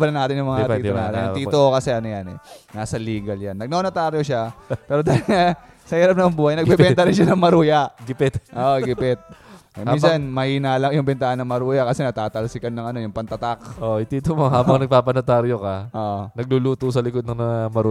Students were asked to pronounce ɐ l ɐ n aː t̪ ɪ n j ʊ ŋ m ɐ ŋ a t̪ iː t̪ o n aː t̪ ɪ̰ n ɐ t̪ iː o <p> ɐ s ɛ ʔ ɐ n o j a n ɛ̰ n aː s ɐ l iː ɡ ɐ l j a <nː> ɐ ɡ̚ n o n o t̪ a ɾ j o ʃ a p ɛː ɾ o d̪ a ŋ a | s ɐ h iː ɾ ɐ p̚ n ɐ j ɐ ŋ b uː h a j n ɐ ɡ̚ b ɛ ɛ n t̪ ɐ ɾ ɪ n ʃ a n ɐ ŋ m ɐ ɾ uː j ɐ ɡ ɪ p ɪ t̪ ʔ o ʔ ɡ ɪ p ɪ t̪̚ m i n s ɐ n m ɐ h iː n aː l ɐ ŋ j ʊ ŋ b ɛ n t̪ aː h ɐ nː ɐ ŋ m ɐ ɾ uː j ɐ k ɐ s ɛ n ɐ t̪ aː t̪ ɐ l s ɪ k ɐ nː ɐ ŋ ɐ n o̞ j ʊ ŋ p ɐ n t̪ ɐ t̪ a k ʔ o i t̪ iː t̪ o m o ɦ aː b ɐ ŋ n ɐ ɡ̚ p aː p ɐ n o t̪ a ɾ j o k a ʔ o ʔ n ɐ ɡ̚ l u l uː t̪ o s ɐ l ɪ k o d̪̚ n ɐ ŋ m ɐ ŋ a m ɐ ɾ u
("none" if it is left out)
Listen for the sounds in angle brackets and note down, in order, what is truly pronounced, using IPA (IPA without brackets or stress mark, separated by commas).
k, nː